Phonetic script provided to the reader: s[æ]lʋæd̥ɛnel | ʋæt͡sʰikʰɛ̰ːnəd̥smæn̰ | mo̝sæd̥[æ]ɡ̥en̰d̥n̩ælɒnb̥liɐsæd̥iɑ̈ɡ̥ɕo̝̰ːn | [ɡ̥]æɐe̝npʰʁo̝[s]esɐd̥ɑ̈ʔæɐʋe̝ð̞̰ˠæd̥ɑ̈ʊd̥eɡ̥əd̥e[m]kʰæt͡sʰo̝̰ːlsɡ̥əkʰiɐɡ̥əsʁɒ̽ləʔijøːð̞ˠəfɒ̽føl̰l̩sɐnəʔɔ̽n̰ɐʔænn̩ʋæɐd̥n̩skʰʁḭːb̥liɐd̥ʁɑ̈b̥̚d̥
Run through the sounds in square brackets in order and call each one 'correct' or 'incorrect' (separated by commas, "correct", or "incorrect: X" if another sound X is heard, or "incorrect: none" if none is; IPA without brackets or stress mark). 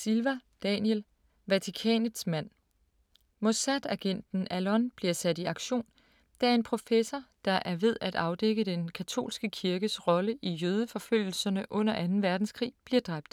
incorrect: i, correct, incorrect: d̥, incorrect: f, incorrect: n